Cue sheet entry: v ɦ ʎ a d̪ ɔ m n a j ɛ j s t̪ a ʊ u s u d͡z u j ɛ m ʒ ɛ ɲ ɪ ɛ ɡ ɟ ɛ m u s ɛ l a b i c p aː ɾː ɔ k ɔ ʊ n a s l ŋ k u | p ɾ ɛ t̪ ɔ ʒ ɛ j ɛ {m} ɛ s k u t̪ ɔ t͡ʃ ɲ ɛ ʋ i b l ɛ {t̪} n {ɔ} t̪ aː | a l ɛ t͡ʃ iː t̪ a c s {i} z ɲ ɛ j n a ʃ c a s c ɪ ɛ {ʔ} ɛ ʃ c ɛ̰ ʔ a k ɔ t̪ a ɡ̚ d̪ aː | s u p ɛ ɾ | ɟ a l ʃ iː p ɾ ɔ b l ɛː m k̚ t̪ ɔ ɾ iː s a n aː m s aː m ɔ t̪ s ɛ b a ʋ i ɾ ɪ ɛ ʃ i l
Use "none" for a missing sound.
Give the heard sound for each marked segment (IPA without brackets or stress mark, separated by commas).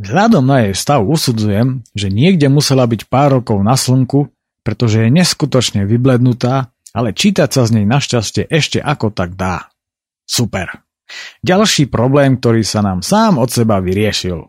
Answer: ɲ, d̪, u, a, ʔ